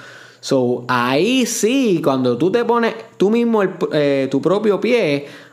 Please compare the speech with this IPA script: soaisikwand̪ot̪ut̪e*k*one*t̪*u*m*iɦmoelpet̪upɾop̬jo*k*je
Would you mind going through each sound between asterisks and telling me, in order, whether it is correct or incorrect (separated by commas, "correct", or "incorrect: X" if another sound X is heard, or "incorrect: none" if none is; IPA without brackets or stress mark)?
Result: incorrect: p, correct, correct, incorrect: p